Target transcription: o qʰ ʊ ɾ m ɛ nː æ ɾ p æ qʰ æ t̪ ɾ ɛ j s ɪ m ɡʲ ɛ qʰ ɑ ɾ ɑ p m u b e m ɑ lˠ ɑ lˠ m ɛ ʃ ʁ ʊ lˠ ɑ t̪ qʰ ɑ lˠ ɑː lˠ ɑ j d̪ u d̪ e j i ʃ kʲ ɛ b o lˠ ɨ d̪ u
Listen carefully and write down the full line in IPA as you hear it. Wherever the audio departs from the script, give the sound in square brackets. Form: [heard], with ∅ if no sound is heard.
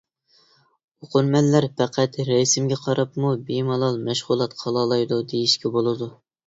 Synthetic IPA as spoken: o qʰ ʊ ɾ m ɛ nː æ ɾ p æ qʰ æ t̪ ɾ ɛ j s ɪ m ɡʲ ɛ qʰ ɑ ɾ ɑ p m u b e m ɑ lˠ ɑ lˠ m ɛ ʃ ʁ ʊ lˠ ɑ t̪ qʰ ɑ lˠ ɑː lˠ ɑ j d̪ u d̪ e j i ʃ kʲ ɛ b o lˠ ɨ d̪ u